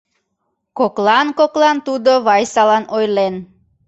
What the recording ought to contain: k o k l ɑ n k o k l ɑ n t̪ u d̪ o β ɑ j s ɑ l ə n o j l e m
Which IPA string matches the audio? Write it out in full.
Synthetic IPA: k o k l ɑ n k o k l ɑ n t̪ u d̪ o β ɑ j s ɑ l ɑ n o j l e n

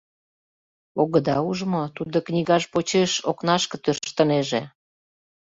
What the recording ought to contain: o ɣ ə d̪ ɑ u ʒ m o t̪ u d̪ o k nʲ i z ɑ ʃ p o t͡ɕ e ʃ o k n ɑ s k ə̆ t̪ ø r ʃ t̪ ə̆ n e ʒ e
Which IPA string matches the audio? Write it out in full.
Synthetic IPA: o ɣ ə d̪ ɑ u ʒ m o t̪ u d̪ o k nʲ i ɣ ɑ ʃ p o t͡ɕ e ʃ o k n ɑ ʃ k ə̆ t̪ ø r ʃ t̪ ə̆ n e ʒ e

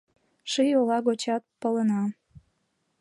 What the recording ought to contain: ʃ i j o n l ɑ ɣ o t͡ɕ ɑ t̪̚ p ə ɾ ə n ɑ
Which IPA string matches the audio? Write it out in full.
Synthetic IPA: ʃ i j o l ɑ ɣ o t͡ɕ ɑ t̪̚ p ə l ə n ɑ

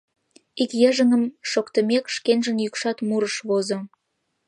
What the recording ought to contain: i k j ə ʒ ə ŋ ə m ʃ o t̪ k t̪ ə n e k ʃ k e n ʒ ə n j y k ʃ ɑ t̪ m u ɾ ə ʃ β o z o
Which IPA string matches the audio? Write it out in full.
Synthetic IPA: i k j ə ʒ ə ŋ ə m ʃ o k t̪ ə m e k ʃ k e n ʒ ə n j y k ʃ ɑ t̪ m u ɾ ə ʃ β o z o

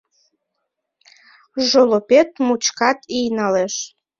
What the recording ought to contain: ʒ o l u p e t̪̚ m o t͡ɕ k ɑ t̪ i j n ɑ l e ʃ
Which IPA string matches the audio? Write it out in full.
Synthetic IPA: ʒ o l o p e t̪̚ m u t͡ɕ k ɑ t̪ i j n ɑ l e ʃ

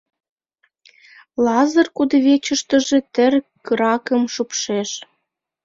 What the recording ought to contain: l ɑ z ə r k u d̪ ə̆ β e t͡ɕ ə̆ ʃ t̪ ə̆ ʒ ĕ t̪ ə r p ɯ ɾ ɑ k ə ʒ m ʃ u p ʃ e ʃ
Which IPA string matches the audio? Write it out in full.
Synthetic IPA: l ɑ z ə r k u d̪ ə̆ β e t͡ɕ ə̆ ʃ t̪ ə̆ ʒ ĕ t̪ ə r k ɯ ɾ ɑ k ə m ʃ u p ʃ e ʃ

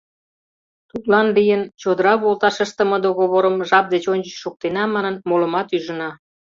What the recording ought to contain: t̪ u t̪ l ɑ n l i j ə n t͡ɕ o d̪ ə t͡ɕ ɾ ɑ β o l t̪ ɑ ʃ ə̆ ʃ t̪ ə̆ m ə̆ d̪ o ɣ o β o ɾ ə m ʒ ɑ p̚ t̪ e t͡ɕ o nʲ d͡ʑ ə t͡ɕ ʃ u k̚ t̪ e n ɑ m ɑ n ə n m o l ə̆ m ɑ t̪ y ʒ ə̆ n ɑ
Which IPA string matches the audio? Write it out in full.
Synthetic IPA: t̪ u t̪ l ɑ n l i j ə n t͡ɕ o d̪ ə ɾ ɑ β o l t̪ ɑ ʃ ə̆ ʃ t̪ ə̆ m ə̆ d̪ o ɣ o β o ɾ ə m ʒ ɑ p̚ d̪ e t͡ɕ o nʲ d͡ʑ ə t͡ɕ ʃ u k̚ t̪ e n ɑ m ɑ n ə n m o l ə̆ m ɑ t̪ y ʒ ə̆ n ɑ

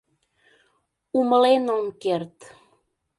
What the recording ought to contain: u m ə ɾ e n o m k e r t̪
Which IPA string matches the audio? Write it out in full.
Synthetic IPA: u m ə l e n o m k e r t̪

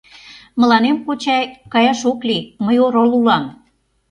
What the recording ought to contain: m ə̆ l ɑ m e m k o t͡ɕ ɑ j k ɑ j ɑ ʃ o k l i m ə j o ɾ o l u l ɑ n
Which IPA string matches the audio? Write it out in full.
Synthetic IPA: m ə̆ l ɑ n e m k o t͡ɕ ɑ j k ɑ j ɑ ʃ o k l i m ə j o ɾ o l u l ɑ m

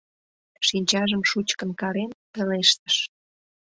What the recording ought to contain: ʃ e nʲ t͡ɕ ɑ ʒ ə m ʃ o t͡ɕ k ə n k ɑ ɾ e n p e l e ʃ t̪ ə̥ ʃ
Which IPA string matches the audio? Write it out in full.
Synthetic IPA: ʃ i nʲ t͡ɕ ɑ ʒ ə m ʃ u t͡ɕ k ə n k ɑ ɾ e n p e l e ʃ t̪ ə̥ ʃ

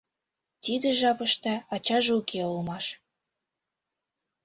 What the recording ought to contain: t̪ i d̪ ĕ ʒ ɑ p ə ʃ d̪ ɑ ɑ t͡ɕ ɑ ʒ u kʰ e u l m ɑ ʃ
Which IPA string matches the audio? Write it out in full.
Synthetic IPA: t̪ i d̪ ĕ ʒ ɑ p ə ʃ t̪ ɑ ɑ t͡ɕ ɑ ʒ u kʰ e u l m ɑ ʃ

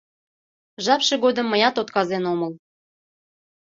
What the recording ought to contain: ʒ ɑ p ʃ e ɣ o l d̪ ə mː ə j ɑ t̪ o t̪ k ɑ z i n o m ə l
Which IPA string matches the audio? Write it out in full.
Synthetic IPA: ʒ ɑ p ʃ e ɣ o d̪ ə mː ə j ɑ t̪ o t̪ k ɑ z e n o m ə l

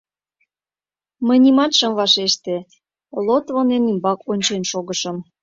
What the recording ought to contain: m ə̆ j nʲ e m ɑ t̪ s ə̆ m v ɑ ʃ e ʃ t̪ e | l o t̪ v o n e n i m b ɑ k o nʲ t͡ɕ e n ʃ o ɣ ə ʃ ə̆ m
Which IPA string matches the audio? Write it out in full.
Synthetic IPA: m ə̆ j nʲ i m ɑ t̪ ʃ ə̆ m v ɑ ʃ e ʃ t̪ e | l o t̪ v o n e n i m b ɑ k o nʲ t͡ɕ e n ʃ o ɣ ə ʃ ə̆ m

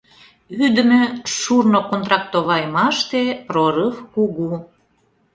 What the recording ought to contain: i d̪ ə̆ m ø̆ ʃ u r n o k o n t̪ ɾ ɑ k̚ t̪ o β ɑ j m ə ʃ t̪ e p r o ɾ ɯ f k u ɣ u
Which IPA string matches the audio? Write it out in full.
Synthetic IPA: y d̪ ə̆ m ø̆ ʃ u r n o k o n t̪ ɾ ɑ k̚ t̪ o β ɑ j m ɑ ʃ t̪ e p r o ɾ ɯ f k u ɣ u

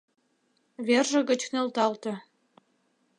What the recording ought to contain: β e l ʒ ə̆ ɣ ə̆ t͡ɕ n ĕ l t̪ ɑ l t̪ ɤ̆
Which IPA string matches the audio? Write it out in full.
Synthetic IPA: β e r ʒ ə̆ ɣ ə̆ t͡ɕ n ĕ l t̪ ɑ l t̪ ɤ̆

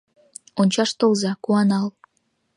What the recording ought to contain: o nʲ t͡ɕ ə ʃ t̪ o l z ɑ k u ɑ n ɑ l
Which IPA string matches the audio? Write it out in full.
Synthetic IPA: o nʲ t͡ɕ ɑ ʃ t̪ o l z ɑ k u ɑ n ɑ l

